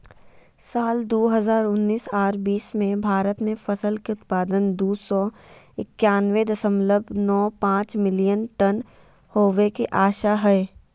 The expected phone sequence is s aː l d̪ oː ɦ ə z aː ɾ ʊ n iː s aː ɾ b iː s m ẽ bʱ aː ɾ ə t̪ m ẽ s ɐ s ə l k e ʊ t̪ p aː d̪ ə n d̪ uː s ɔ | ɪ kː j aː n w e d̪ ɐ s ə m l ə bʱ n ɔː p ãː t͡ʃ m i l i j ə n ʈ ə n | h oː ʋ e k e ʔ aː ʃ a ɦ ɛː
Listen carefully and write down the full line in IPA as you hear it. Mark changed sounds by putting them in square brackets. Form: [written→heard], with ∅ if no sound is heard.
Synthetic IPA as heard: s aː l d̪ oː ɦ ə z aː ɾ ʊ [n→nː] iː s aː ɾ b iː s m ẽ bʱ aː ɾ ə t̪ m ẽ [s→f] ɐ s ə l k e ʊ t̪ p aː d̪ ə n d̪ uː s ɔ | ɪ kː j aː n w e d̪ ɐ s ə m l ə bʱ n ɔː p ãː t͡ʃ m [i→ɪ] l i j ə n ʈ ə n | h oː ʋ e k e ʔ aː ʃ a ɦ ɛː

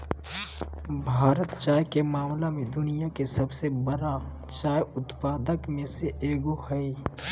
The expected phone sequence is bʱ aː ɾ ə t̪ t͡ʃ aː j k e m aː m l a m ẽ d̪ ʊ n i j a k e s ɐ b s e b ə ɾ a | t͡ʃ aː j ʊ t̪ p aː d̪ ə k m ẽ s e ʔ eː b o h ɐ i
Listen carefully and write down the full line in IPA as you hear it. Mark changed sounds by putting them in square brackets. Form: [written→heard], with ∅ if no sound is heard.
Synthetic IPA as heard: bʱ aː ɾ ə t̪ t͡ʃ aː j k e m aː m l a m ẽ d̪ ʊ n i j a k e s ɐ b s e b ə ɾ a | t͡ʃ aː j ʊ t̪ p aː d̪ ə k m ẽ s e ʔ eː [b→ɡ] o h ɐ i

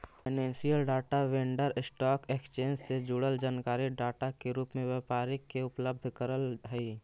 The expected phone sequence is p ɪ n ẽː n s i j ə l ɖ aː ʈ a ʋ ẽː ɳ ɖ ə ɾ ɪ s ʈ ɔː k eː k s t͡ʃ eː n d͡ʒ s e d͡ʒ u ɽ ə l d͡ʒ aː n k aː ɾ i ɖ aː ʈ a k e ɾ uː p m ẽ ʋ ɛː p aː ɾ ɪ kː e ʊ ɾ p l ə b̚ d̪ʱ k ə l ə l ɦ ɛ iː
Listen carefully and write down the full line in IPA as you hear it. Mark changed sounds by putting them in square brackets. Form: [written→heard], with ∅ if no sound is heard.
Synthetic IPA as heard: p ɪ n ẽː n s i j ə l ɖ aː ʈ a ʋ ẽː ɳ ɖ ə ɾ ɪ s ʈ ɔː k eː k s t͡ʃ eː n d͡ʒ s e d͡ʒ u ɽ ə l d͡ʒ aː n k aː ɾ i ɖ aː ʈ a k e ɾ uː p m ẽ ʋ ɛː p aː ɾ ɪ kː e ʊ [ɾ→∅] p l ə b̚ d̪ʱ k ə [l→ɾ] ə l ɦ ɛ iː

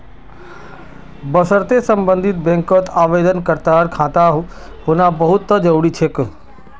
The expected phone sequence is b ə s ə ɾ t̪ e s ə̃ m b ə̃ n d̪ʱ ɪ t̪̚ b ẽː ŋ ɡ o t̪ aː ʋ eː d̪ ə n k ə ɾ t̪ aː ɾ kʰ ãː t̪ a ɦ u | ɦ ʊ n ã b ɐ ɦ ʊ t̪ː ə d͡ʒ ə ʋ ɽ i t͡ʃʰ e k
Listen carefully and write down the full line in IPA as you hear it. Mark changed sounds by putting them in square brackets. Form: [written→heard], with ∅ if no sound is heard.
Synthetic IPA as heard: b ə s ə ɾ t̪ e s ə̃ m b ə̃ n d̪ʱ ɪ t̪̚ b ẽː ŋ [ɡ→k] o t̪ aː ʋ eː d̪ ə n k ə ɾ t̪ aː ɾ kʰ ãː t̪ a ɦ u | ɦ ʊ n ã b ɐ ɦ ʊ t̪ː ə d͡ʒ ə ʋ ɽ i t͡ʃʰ e k

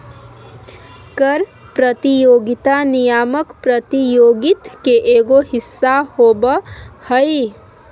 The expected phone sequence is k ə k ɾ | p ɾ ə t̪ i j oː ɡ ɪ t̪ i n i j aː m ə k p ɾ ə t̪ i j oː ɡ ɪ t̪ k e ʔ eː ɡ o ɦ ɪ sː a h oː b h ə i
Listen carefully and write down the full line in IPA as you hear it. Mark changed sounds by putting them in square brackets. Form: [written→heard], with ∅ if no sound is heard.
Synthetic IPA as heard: k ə [k→∅] ɾ | p ɾ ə t̪ i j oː ɡ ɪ t̪ [i→a] n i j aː m ə k p ɾ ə t̪ i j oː ɡ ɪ t̪ k e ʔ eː ɡ o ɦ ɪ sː a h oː b h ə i

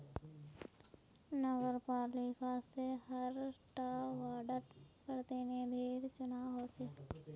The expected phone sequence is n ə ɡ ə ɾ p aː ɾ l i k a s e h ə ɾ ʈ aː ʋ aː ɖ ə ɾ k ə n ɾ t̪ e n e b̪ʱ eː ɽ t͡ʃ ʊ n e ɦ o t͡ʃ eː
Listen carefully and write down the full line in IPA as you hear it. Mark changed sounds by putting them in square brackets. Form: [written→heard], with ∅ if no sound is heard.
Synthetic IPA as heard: n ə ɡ ə ɾ p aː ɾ l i k a s e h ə ɾ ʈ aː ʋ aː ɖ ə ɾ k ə [n→∅] ɾ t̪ e n e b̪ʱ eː [ɽ→ɾ] t͡ʃ ʊ n [e→a] ɦ o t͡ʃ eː

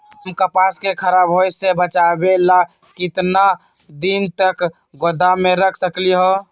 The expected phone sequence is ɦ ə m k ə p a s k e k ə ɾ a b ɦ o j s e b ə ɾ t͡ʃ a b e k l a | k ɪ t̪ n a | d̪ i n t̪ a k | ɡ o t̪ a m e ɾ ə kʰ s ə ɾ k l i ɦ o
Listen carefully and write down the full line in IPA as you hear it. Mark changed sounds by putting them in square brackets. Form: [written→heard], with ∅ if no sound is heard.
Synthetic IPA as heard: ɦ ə m k ə p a s k e [k→kʰ] ə ɾ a b ɦ o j s e b ə [ɾ→∅] t͡ʃ a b e [k→∅] l a | k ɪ t̪ n a | d̪ i n t̪ [a→ə] k | ɡ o [t̪→d̪] a m e ɾ ə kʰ s ə [ɾ→∅] k l i ɦ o

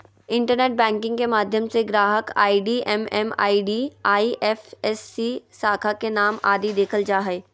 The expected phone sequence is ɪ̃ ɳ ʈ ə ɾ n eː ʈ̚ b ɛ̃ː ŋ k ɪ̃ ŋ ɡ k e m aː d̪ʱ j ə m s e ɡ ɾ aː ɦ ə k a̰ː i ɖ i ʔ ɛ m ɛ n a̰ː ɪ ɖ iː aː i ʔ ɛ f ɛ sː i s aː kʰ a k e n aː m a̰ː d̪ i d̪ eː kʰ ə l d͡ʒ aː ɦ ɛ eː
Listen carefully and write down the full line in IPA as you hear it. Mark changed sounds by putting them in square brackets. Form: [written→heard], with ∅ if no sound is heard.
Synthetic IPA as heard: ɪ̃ ɳ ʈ ə ɾ n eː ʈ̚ b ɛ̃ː ŋ k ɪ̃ ŋ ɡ k e m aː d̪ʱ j ə m s e ɡ ɾ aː ɦ ə k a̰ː i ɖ i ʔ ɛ m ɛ [n→m] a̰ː [ɪ→i] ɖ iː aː i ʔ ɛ f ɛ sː i s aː kʰ a k e n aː m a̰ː d̪ i d̪ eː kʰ ə l d͡ʒ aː ɦ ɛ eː

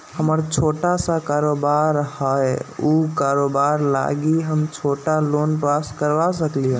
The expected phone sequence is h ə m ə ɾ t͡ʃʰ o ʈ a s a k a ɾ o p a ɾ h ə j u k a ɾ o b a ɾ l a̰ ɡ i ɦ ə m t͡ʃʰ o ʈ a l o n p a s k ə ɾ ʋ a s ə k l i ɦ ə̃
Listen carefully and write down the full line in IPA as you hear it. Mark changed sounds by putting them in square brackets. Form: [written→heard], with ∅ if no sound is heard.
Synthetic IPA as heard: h ə m ə ɾ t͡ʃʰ o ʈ a s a k a ɾ o [p→b] a ɾ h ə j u k a ɾ o b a ɾ l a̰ ɡ i ɦ ə m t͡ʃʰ o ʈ a l o n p a s k ə ɾ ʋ a s ə k l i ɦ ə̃

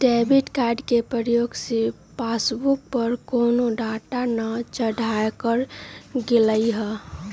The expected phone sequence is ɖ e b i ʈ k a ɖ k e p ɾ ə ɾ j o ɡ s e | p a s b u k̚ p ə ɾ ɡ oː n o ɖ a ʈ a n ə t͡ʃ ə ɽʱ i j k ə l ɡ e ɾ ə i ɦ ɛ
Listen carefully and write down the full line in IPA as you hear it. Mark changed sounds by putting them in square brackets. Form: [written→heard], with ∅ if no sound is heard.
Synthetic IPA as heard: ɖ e b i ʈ k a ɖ k e p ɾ ə ɾ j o ɡ s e | p a s b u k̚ p ə ɾ [ɡ→k] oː n o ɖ a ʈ a n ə t͡ʃ ə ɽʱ [i→a] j k ə [l→ɾ] ɡ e [ɾ→l] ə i ɦ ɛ

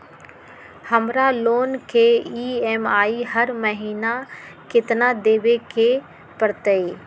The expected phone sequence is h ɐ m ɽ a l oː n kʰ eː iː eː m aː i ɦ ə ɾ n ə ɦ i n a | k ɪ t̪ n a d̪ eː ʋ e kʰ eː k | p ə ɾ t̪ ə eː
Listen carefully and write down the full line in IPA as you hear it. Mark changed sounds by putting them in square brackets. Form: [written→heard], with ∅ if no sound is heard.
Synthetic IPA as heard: h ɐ m [ɽ→ɾ] a l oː n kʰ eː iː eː m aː i ɦ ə ɾ [n→m] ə ɦ [i→iː] n a | k ɪ t̪ n a d̪ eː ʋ e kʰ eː [k→∅] | p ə ɾ t̪ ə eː

